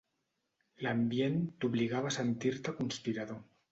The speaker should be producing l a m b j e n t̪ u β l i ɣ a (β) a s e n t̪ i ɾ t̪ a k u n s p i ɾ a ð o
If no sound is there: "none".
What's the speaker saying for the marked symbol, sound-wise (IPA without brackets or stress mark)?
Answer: β